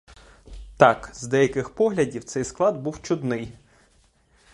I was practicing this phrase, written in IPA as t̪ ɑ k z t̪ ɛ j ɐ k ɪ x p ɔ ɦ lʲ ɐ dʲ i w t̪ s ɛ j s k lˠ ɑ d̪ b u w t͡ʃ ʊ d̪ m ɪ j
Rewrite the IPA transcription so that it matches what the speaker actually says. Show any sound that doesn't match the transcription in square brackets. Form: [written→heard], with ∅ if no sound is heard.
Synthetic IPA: t̪ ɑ k z [t̪→d̪] ɛ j ɐ k ɪ x p ɔ ɦ lʲ ɐ dʲ i w t̪ s ɛ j s k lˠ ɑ d̪ b u w t͡ʃ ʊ d̪ [m→n] ɪ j